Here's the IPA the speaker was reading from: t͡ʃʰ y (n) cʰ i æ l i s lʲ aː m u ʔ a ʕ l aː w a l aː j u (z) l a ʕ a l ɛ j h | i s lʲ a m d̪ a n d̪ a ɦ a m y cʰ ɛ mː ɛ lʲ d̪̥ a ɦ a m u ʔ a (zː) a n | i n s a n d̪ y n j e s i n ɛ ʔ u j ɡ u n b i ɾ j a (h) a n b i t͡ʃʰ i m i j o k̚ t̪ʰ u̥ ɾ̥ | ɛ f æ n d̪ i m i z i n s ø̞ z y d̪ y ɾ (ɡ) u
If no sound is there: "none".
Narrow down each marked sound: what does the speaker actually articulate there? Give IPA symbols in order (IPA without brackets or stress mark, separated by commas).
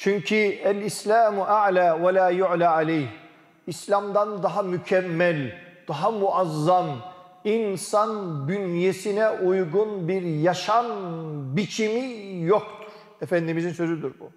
ɲ, ʕ, zː, ʃ, b